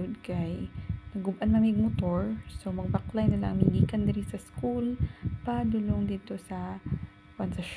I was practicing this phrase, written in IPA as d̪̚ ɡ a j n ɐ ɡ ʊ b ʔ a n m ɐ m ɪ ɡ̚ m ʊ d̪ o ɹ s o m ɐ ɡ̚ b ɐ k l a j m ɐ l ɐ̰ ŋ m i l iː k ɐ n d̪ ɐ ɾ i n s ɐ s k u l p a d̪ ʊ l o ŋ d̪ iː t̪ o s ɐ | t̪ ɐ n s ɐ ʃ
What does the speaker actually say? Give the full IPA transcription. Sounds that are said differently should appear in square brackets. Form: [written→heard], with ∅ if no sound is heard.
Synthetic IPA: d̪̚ [ɡ→k] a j n ɐ ɡ ʊ b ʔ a n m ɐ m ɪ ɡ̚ m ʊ [d̪→t̪] o ɹ s o m ɐ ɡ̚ b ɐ k l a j [m→n] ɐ l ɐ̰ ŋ m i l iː k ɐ n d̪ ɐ ɾ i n s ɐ s k u l p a d̪ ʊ l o ŋ d̪ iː t̪ o s ɐ | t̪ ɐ n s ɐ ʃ